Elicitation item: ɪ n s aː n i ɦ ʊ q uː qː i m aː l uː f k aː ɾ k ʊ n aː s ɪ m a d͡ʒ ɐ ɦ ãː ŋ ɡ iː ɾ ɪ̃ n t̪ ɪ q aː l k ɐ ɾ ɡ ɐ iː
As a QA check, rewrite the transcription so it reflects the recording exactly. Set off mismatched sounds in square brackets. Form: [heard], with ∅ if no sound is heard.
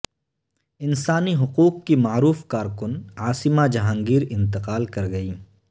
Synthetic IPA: ɪ n s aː n i ɦ ʊ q uː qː i m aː [ɾ] uː f k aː ɾ k ʊ n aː s ɪ m a d͡ʒ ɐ ɦ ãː ŋ ɡ iː ɾ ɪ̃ n t̪ ɪ q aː l k ɐ ɾ ɡ ɐ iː